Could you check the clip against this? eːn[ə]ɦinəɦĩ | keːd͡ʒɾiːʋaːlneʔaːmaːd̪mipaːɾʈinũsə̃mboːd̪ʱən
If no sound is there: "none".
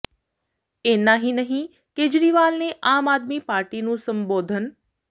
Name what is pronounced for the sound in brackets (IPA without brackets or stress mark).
a